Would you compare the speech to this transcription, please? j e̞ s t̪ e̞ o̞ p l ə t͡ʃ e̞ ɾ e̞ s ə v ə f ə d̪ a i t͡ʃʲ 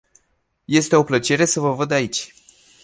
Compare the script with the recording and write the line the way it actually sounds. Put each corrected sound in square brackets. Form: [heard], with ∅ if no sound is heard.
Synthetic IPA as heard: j e̞ s t̪ e̞ o̞ p l ə t͡ʃ e̞ ɾ e̞ s ə v ə [v] ə d̪ a i t͡ʃʲ